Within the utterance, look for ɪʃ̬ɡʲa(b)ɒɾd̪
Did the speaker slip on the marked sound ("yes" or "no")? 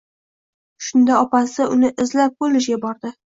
no